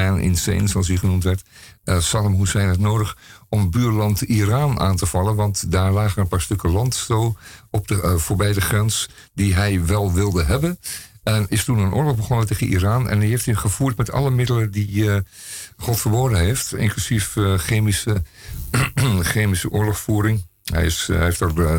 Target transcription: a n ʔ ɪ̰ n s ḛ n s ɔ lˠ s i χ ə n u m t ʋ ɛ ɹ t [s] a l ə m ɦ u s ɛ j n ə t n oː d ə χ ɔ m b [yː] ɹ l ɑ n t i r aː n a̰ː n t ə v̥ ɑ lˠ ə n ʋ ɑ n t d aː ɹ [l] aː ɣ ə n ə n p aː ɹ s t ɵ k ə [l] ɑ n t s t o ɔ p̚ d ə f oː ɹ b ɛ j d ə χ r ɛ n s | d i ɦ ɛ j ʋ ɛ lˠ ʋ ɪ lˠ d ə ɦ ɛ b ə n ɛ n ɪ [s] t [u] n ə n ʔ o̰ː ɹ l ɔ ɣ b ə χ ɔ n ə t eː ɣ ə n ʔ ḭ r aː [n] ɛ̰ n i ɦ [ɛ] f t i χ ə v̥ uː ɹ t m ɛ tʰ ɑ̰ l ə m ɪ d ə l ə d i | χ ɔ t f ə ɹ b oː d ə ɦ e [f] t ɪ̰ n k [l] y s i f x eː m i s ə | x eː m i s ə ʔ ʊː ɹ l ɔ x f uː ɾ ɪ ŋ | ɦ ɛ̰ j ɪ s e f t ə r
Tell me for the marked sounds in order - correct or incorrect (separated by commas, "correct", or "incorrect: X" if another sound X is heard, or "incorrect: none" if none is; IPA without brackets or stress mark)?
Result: correct, correct, correct, correct, correct, correct, correct, incorrect: e, correct, correct